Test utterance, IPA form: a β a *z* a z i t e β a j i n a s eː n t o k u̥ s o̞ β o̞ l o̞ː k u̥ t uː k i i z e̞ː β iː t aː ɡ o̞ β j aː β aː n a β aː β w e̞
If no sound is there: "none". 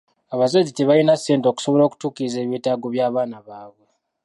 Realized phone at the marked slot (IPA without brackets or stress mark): z